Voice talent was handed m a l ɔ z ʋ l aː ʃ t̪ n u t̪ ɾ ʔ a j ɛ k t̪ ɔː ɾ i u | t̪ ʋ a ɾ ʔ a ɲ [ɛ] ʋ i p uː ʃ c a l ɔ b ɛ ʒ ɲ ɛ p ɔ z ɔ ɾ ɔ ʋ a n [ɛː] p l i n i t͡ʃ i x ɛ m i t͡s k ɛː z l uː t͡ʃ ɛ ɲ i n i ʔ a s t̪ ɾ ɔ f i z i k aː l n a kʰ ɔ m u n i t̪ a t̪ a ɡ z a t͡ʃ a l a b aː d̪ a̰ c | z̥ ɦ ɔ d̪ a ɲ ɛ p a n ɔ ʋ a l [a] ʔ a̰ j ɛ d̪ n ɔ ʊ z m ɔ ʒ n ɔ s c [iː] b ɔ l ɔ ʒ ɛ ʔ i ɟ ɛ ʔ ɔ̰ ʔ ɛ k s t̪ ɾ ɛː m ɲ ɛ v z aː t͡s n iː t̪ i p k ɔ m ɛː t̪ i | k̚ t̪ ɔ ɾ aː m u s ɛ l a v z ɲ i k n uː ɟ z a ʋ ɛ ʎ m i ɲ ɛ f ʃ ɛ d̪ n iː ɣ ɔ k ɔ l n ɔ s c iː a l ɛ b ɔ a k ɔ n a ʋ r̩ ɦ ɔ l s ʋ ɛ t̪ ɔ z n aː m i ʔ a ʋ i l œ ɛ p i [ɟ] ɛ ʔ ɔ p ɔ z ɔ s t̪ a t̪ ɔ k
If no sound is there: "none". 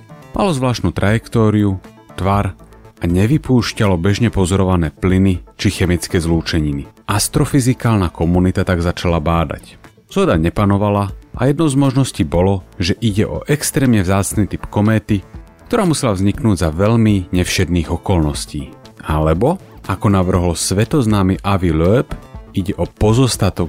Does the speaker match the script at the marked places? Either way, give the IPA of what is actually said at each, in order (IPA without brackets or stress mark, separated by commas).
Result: ɛ, ɛː, a, iː, ɟ